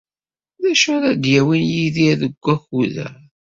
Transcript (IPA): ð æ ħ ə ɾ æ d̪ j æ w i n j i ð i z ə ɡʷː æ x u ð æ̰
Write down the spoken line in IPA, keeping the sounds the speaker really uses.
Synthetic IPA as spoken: ð æ ʃ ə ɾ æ d̪ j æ w i n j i ð i ð ə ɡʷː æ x u ð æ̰